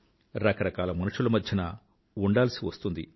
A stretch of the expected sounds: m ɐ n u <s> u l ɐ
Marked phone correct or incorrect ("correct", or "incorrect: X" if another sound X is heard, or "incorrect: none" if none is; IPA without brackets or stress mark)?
incorrect: ʂ